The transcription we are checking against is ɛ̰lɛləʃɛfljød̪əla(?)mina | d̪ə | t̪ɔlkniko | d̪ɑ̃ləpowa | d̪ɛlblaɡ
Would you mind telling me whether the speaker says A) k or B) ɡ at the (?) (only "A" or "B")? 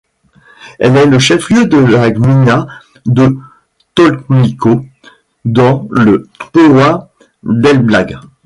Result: B